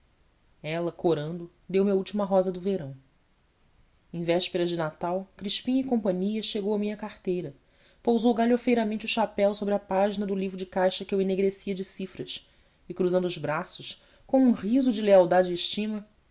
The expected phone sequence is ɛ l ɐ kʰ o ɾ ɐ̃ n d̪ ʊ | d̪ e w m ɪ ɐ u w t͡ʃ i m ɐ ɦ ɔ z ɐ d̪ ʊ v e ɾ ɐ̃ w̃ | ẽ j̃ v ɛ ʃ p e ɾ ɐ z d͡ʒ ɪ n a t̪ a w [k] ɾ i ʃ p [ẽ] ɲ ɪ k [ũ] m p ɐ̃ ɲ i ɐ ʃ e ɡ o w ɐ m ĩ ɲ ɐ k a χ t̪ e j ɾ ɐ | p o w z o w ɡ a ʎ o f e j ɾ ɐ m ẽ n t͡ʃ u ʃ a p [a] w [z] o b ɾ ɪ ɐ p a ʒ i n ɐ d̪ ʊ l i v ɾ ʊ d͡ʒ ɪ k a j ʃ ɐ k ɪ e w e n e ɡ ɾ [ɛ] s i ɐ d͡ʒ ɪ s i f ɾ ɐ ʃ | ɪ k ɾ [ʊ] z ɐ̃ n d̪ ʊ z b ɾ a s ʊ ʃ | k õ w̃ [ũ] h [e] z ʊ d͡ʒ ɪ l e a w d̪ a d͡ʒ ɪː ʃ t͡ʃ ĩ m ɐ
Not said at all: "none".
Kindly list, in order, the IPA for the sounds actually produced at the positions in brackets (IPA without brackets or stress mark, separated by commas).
k, ĩ, õ, ɛ, s, e, u, ũ, i